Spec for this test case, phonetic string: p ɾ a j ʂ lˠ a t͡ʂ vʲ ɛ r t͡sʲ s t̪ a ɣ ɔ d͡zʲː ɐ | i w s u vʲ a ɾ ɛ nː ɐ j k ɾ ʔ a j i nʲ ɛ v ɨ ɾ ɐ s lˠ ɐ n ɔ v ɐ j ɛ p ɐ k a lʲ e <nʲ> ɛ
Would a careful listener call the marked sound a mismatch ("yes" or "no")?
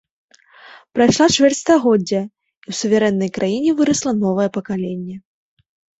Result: yes